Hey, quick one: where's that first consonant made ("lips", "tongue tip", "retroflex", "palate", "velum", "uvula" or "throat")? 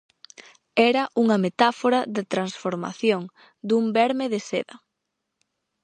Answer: tongue tip